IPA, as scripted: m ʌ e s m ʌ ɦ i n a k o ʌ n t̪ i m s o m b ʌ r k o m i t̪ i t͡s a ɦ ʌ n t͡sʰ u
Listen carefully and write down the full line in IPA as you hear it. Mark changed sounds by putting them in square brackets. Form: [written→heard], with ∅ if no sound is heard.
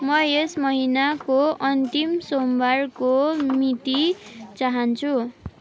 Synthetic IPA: m ʌ e s m ʌ ɦ i n a k o ʌ n t̪ i m s o m b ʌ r k o m i t̪ i t͡s a ɦ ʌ n t͡sʰ u

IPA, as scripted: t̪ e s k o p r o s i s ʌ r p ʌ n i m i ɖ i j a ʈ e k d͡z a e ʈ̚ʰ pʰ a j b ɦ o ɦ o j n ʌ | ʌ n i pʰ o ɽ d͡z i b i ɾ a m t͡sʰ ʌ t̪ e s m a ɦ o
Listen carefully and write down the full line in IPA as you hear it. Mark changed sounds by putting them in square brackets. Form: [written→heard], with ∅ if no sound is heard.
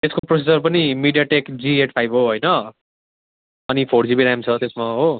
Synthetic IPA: t̪ e s k o p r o s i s ʌ r p ʌ n i m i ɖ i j a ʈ e k d͡z [a→i] e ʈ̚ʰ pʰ a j b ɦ o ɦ o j n ʌ | ʌ n i pʰ o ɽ d͡z i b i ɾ a m t͡sʰ ʌ t̪ e s m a ɦ o

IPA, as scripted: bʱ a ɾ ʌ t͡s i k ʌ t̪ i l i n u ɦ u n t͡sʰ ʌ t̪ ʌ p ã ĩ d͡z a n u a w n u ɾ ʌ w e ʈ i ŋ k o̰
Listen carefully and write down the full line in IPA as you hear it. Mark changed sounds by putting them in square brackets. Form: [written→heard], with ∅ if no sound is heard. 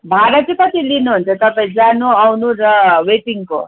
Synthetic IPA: bʱ a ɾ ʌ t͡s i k ʌ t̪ i l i n u ɦ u n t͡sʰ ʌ t̪ ʌ p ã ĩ d͡z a n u a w n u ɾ ʌ w e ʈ i ŋ k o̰

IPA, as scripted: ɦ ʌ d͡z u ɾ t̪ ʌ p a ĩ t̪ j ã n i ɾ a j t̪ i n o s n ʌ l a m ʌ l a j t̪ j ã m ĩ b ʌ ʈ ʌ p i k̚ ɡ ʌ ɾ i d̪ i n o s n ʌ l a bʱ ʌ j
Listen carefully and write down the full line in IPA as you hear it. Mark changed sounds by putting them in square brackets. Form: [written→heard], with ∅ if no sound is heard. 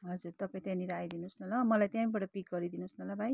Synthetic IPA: ɦ ʌ d͡z u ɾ t̪ ʌ p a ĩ t̪ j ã n i ɾ a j [t̪→d̪] i n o s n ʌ l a m ʌ l a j t̪ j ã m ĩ b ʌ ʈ ʌ p i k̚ ɡ ʌ ɾ i d̪ i n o s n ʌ l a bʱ [ʌ→a] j

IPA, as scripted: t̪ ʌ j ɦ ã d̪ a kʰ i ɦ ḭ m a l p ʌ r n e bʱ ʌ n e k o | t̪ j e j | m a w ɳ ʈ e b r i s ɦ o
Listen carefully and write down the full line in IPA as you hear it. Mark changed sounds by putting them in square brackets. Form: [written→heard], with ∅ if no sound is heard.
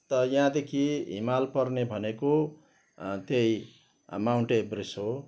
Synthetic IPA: t̪ ʌ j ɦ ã d̪ [a→e] kʰ i ɦ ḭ m a l p ʌ r n e bʱ ʌ n e k o | t̪ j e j | m a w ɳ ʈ e b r i s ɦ o

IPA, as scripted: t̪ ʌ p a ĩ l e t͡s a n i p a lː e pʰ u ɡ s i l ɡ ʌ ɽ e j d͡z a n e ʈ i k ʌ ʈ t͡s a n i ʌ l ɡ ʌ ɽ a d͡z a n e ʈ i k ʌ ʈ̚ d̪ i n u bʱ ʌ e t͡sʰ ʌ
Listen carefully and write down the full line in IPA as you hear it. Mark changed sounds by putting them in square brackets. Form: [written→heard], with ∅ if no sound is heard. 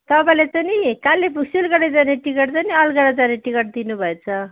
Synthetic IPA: t̪ ʌ p a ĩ l e t͡s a n i [p→k] a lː e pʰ u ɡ s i l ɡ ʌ ɽ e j d͡z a n e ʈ i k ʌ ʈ t͡s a n i ʌ l ɡ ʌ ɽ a d͡z a n e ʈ i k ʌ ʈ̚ d̪ i n u bʱ ʌ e t͡sʰ ʌ

